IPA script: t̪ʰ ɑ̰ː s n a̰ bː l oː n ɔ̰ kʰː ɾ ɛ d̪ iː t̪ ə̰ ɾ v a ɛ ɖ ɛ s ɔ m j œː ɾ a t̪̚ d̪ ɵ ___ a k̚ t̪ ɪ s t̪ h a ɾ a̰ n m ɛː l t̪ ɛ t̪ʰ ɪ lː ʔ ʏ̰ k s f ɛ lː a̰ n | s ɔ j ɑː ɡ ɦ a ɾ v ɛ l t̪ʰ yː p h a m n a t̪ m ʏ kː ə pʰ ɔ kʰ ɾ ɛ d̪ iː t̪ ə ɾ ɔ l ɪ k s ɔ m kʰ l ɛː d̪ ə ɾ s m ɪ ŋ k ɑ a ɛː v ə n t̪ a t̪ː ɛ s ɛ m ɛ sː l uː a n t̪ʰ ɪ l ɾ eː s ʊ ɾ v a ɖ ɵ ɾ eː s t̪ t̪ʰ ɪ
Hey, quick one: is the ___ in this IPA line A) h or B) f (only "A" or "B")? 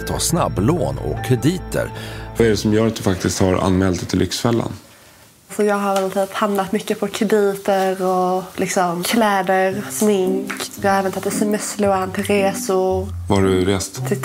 B